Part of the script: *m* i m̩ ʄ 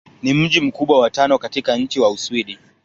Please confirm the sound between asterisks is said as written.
no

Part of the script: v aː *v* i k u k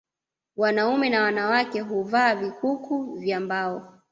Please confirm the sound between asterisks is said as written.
yes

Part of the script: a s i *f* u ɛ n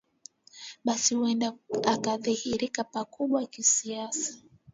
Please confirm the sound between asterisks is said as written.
no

